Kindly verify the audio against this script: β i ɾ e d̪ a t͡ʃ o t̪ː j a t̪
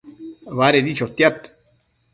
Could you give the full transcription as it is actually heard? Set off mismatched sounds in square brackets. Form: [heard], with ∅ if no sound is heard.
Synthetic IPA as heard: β [a] ɾ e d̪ [i] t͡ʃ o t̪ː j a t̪